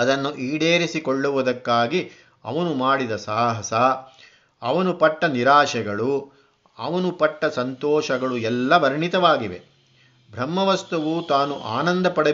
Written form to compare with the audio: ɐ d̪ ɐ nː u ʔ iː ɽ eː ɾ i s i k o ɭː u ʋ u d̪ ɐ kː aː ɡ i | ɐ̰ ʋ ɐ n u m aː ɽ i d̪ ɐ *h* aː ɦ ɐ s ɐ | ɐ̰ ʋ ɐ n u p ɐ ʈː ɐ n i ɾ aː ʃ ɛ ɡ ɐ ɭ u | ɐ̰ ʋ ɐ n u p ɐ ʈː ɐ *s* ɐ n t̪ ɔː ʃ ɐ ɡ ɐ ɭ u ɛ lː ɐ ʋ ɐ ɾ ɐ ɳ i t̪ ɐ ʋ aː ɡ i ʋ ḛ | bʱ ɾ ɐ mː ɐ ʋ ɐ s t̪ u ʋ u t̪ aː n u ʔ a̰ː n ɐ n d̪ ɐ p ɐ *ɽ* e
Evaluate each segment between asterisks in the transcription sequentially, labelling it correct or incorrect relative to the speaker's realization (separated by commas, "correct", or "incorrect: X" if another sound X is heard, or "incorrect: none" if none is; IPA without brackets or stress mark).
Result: incorrect: s, correct, correct